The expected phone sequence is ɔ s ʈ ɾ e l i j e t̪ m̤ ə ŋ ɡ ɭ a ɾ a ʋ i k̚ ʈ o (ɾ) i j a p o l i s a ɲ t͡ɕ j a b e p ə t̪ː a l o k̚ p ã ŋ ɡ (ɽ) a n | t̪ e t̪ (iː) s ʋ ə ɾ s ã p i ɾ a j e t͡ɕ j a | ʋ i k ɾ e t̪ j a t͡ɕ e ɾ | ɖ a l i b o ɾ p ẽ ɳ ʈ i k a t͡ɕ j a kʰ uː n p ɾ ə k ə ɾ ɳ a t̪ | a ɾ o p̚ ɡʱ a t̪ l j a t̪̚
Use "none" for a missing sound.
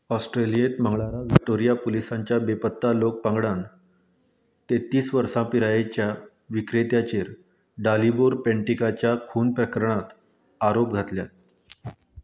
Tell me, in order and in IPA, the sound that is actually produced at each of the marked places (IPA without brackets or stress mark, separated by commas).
ɾ, ɽ, iː